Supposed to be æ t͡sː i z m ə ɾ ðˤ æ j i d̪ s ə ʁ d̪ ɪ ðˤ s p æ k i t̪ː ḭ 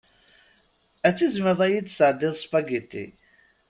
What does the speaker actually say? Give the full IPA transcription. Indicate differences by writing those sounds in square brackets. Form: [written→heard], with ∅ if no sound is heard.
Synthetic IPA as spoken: æ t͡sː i z m ə ɾ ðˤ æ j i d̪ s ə [ʁ→ʕ] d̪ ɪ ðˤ s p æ [k→ɡ] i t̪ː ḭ